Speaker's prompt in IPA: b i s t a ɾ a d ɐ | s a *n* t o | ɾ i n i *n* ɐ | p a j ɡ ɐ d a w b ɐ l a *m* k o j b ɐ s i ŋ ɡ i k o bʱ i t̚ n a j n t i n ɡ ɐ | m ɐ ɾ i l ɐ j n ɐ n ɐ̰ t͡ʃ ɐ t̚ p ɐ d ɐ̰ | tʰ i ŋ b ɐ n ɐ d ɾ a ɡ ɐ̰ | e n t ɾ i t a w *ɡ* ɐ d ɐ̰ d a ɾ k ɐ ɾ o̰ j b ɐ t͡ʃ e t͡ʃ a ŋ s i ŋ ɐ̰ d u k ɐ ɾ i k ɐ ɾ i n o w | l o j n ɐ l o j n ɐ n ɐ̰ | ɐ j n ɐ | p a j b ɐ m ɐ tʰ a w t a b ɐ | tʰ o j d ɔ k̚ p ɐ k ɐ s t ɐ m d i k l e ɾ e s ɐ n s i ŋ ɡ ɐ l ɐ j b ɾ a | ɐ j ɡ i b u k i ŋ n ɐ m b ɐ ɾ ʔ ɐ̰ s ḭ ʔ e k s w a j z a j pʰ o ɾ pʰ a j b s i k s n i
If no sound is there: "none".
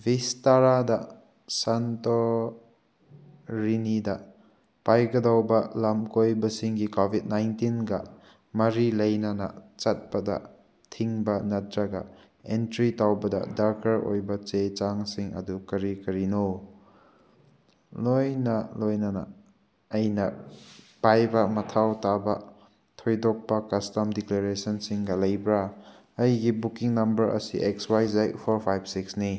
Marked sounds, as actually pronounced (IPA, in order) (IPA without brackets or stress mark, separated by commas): n, d, m, b